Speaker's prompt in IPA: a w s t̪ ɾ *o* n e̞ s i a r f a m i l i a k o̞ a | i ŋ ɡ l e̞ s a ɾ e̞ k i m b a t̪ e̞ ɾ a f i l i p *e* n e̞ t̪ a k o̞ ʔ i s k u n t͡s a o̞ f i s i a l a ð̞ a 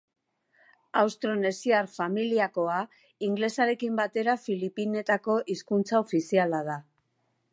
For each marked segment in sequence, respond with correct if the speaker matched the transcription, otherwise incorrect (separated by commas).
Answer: correct, incorrect